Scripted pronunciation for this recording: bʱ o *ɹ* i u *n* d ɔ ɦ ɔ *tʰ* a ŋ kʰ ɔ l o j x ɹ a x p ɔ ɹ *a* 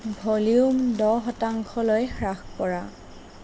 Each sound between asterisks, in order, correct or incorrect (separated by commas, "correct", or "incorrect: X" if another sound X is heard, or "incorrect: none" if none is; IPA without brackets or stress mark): incorrect: l, incorrect: m, incorrect: t, correct